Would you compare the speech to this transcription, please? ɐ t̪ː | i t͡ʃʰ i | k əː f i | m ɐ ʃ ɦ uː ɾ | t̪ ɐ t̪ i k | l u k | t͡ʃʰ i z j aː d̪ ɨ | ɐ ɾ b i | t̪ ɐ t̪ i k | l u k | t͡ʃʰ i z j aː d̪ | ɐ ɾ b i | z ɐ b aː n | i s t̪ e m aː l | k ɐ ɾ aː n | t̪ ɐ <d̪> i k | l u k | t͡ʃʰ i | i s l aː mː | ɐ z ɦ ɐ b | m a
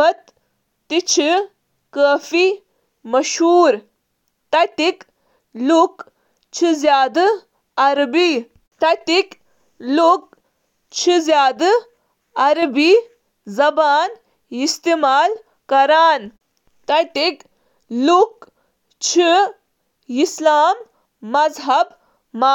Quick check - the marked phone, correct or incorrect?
incorrect